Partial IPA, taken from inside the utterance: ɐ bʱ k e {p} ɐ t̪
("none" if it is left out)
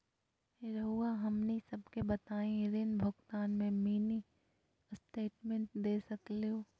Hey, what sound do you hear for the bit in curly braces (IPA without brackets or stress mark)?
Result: b